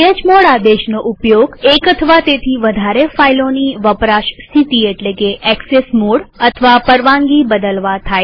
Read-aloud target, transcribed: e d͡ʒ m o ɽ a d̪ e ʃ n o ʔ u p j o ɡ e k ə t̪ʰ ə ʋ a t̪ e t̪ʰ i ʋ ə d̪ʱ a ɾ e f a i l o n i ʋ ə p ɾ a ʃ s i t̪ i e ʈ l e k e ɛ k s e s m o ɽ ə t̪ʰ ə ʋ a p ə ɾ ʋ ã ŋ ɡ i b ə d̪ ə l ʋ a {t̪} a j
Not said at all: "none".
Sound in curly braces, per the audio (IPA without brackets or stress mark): t̪ʰ